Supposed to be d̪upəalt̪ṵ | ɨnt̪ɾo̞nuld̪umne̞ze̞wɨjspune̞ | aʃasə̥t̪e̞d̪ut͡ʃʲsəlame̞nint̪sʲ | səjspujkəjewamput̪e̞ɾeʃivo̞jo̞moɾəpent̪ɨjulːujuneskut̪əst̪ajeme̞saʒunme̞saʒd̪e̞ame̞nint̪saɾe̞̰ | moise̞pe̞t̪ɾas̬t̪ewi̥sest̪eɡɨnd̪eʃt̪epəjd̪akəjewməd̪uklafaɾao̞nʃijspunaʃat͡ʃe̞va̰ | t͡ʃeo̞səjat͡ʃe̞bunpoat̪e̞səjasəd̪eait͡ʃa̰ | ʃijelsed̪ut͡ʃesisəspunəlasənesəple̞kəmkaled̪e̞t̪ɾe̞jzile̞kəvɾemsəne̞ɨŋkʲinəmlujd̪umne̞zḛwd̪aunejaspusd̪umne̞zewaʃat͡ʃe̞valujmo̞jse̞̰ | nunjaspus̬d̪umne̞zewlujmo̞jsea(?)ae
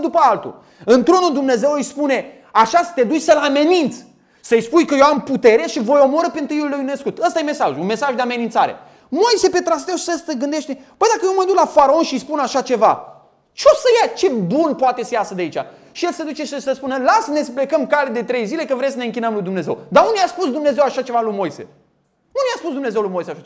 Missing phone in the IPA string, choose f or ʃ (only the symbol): ʃ